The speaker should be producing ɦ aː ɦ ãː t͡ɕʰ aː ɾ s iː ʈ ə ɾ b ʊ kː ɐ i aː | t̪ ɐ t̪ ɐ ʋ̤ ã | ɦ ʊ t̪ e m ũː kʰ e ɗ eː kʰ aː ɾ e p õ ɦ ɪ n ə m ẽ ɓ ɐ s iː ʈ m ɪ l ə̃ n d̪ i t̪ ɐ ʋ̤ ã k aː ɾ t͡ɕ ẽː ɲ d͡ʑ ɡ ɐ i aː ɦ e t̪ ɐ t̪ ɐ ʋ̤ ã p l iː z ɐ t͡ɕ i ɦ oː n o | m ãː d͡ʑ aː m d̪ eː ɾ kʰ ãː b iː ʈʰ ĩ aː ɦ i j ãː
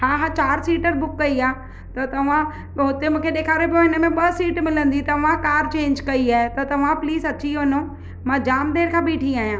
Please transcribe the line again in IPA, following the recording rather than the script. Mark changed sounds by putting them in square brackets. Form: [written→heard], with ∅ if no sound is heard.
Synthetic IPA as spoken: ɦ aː ɦ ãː [t͡ɕʰ→t͡ɕ] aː ɾ s iː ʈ ə ɾ b ʊ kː ɐ i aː | t̪ ɐ t̪ ɐ ʋ̤ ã | ɦ ʊ t̪ e m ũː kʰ e ɗ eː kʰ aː ɾ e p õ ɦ ɪ n ə m ẽ ɓ ɐ s iː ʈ m ɪ l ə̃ n d̪ i t̪ ɐ ʋ̤ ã k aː ɾ t͡ɕ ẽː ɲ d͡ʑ [ɡ→k] ɐ i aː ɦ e t̪ ɐ t̪ ɐ ʋ̤ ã p l iː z ɐ t͡ɕ i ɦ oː n o | m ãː d͡ʑ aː m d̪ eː ɾ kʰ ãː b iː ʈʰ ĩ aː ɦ i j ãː